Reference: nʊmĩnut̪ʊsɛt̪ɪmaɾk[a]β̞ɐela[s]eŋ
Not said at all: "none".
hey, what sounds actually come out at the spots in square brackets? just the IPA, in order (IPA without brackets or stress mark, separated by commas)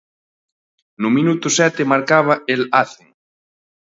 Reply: a, θ